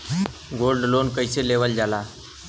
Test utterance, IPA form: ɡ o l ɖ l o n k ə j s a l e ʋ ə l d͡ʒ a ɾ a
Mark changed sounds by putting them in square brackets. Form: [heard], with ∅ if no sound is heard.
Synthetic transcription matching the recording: ɡ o l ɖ l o n k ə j s [e] l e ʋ ə l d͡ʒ a [l] a